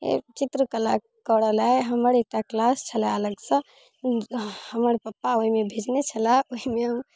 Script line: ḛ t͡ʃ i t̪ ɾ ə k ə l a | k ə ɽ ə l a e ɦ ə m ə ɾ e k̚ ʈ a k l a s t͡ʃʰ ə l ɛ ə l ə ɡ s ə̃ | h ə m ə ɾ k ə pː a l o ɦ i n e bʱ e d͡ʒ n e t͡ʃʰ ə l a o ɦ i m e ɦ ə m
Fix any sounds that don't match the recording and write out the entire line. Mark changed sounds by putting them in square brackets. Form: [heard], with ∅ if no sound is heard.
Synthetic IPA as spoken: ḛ t͡ʃ i t̪ ɾ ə k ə l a | k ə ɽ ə l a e ɦ ə m ə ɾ e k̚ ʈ a k l a s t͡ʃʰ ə l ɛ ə l ə ɡ s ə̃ | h ə m ə ɾ [p] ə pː a [∅] o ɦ i [m] e bʱ e d͡ʒ n e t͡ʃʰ ə l a o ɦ i m e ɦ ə m